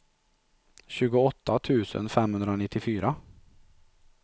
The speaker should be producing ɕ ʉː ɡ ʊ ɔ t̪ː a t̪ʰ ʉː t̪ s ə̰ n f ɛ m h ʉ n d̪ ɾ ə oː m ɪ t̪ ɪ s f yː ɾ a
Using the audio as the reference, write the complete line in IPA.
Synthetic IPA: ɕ ʉː ɡ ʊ ɔ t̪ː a t̪ʰ ʉː s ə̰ n f ɛ m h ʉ n d̪ ɾ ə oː n ɪ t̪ ɪ f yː ɾ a

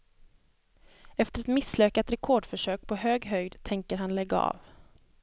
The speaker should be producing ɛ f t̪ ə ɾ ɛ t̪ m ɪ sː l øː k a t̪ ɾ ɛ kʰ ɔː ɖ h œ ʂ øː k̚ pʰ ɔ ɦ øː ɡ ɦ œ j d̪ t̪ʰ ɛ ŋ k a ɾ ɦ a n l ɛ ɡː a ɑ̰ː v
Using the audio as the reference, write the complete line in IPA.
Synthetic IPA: ɛ f t̪ ə ɾ ɛ t̪ m ɪ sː l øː k a t̪ ɾ ɛ kʰ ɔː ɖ f œ ʂ øː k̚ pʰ ɔ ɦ øː ɡ ɦ œ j d̪ t̪ʰ ɛ ŋ k ə ɾ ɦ a n l ɛ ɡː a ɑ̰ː v

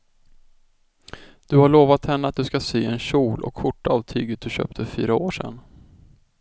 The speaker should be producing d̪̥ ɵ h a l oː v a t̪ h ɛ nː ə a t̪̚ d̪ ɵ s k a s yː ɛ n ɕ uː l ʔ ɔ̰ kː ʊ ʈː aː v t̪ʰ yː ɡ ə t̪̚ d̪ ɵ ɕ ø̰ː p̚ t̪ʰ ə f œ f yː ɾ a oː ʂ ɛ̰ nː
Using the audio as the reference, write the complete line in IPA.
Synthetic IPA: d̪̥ ɵ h a ɭ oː v a t̪ h ɛ nː ə a t̪̚ d̪ ɵ s k a s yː ɛ n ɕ uː l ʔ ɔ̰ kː ʊ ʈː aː v t̪ʰ yː ɡ ə t̪̚ d̪ ɵ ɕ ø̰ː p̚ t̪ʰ ə f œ f yː ɾ a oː ʂ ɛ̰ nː

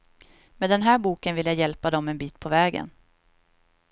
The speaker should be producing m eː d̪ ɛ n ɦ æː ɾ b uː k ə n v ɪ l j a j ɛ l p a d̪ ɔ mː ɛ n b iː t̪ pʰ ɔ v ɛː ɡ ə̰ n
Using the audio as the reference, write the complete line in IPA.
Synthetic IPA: m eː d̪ ɛ n ɦ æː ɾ b uː k ə n v ɪ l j a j ɛ l p a d̪ ɔ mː ɛ n b iː t̪ pʰ ɔ v ɛː ɡ ə̰ n

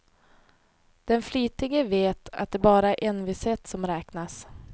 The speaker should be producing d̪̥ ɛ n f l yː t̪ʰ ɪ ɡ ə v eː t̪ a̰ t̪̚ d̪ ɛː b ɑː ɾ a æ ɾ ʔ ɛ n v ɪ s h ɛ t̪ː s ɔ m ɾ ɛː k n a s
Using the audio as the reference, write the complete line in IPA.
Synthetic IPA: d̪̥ ɛ n f l yː t̪ ɪ ɡ ə v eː t̪ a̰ t̪̚ d̪ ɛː b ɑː ɾ a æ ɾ ʔ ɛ n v ɪ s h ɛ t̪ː s ɔ m ɾ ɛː k n a s

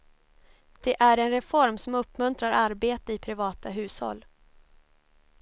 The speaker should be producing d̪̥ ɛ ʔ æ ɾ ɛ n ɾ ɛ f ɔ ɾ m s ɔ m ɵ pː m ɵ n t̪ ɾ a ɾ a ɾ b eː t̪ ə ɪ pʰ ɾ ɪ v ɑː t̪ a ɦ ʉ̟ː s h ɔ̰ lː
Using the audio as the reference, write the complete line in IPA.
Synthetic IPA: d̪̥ ɛ ʔ æ ɾ ɛ n ɾ ɛ f ɔ ɾ m s ɔ m ɵ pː m ɵ n t̪ ɾ a ɾ a ɾ b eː t̪ ə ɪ pʰ ɾ ɪ v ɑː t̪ a ɦ ʉ̟ː s h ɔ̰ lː

